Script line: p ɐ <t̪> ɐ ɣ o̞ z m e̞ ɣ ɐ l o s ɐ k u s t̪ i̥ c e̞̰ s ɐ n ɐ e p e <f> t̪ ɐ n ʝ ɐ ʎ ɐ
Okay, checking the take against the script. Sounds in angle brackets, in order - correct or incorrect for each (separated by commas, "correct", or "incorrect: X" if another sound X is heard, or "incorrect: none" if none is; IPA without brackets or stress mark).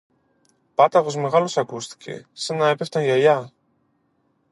correct, correct